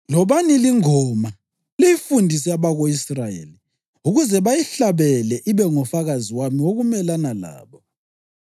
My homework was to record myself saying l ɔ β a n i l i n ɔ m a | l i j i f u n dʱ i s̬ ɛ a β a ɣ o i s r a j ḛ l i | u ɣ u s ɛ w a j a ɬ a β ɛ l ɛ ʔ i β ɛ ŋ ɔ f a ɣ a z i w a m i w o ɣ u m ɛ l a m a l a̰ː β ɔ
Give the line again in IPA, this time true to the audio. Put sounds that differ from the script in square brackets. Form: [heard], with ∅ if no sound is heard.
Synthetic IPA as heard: l ɔ β a n i l i [ŋ] ɔ m a | l i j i f u n dʱ i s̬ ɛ a β a ɣ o i s r a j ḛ l i | u ɣ u [z] ɛ [β] a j [i] ɬ a β ɛ l ɛ ʔ i β ɛ ŋ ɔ f a ɣ a z i w a m i w o ɣ u m ɛ l a [n] a l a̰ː β ɔ